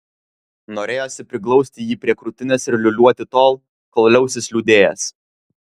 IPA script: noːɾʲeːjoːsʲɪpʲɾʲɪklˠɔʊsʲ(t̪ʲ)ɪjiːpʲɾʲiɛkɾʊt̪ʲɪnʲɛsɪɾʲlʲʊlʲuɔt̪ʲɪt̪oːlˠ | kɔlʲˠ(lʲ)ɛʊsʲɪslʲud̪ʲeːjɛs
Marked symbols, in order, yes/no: yes, yes

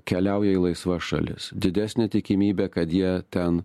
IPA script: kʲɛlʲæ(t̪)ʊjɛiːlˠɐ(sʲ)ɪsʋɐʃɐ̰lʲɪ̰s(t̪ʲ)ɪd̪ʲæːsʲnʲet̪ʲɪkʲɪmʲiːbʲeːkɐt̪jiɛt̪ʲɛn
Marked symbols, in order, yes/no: no, no, no

